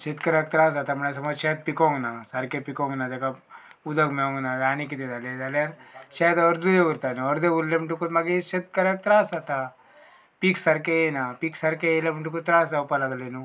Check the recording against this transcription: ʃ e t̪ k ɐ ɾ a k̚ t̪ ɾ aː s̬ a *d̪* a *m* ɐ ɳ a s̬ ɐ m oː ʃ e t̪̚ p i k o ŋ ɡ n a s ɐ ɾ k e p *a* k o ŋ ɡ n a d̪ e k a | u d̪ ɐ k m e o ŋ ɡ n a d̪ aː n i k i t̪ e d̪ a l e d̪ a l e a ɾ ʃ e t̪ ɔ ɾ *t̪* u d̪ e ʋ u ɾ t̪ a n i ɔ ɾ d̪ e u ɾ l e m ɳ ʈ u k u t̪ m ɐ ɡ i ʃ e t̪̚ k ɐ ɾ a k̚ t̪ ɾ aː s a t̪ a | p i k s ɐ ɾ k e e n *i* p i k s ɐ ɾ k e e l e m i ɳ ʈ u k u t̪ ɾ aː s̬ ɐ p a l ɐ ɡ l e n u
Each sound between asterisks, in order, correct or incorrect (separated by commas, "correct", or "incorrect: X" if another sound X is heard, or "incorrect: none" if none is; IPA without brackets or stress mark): incorrect: t̪, correct, incorrect: i, incorrect: d̪, incorrect: a